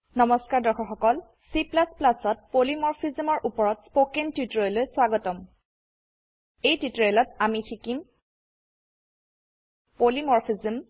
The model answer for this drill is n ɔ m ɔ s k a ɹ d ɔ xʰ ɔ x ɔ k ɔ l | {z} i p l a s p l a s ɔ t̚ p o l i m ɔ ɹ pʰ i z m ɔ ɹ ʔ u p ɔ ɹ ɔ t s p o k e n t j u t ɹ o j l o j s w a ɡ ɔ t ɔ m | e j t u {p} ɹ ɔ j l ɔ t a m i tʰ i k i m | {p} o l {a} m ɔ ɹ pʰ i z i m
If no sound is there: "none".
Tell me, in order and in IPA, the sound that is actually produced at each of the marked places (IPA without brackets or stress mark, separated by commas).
s, t, p, i